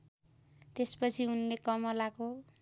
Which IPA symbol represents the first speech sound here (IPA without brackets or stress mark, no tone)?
t̪